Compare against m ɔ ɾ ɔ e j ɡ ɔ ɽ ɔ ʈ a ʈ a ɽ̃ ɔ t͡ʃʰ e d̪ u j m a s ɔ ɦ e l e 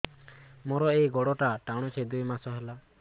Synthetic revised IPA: m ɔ ɾ ɔ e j ɡ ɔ ɽ ɔ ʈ a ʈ a ɽ̃ ɔ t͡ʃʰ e d̪ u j m a s ɔ ɦ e l a